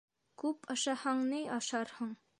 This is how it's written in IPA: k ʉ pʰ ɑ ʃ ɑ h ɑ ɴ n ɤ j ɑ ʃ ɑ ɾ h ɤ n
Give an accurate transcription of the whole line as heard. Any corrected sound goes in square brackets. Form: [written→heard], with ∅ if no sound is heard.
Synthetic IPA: k ʉ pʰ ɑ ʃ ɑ h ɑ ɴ n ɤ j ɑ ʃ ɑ ɾ h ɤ [n→ɴ]